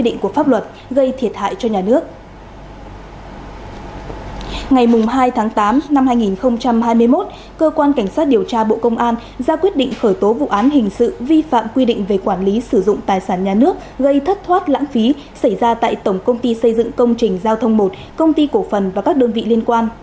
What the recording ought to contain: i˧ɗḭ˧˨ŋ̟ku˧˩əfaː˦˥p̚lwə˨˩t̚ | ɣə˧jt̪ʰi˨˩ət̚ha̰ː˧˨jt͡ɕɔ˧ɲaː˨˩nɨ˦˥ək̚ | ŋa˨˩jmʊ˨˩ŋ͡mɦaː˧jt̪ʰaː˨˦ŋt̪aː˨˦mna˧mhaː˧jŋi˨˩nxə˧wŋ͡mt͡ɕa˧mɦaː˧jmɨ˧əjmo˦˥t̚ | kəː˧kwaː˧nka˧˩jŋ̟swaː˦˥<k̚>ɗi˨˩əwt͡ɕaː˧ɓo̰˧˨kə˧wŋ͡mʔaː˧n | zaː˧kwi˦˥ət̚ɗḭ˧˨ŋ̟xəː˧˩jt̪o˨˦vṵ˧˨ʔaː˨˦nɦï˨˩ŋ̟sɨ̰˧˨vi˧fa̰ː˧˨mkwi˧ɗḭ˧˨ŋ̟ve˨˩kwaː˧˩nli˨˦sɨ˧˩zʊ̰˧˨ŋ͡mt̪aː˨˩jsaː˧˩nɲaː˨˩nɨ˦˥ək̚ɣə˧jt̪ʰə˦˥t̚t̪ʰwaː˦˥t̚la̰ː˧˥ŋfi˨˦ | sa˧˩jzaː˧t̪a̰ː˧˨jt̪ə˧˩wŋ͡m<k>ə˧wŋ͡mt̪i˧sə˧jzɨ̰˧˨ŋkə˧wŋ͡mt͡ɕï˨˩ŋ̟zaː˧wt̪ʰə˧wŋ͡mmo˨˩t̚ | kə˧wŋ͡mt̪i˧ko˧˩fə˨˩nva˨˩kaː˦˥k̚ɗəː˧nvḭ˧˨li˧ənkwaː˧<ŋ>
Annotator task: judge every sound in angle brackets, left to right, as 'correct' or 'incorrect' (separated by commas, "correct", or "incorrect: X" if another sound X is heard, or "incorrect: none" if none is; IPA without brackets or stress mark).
incorrect: t̚, correct, incorrect: n